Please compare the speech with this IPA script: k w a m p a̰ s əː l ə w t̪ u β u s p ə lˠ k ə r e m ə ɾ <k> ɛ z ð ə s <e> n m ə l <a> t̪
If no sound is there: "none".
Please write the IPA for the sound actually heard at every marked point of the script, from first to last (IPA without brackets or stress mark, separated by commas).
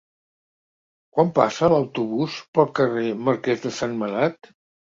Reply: k, a, a